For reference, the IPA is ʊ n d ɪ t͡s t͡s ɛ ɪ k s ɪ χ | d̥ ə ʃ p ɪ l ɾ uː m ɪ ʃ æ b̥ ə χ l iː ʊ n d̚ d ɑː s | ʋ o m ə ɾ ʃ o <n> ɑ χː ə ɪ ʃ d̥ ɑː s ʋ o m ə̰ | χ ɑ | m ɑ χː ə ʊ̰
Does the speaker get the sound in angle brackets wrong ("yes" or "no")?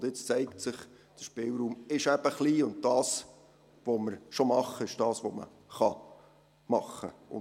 yes